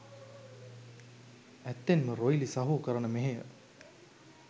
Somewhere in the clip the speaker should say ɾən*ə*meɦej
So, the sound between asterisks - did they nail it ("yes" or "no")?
yes